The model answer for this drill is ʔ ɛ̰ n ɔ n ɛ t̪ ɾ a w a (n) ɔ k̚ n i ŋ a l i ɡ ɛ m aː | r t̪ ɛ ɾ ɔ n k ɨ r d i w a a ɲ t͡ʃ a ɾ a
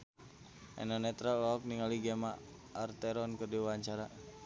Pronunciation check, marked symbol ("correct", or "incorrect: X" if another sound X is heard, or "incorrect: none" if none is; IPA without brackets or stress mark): incorrect: none